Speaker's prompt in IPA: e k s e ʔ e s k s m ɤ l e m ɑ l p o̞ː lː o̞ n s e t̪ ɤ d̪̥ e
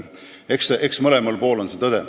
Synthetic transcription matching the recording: e k s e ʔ e k s m ɤ l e m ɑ l p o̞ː l o̞ n s e t̪ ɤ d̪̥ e